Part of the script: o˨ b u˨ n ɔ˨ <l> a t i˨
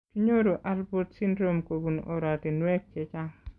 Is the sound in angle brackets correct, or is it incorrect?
incorrect: ɾ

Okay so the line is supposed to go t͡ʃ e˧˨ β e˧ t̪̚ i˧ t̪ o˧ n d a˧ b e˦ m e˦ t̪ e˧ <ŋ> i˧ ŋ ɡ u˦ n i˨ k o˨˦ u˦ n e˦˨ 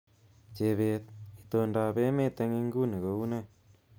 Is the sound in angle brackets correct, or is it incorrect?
correct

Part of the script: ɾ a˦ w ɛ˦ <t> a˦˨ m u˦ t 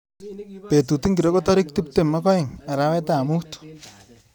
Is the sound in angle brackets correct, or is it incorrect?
correct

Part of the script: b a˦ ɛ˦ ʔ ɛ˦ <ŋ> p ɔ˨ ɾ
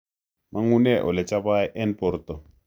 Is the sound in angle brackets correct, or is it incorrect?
incorrect: n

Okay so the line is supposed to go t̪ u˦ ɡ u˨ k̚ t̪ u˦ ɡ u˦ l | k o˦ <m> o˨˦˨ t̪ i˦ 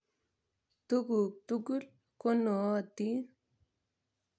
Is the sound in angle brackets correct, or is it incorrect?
incorrect: n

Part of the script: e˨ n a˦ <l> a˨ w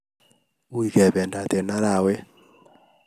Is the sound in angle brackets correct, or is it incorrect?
incorrect: ɾ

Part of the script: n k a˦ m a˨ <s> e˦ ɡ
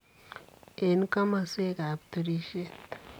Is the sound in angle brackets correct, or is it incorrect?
correct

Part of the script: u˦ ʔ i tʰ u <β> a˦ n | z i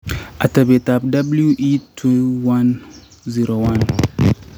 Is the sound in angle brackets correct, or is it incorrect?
incorrect: w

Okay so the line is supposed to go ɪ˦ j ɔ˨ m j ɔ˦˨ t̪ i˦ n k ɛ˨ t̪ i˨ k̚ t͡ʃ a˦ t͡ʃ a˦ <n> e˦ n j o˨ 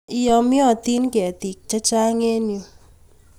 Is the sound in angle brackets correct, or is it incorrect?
incorrect: ŋ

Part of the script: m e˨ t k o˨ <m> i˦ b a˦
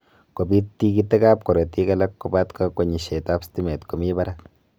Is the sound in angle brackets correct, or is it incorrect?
correct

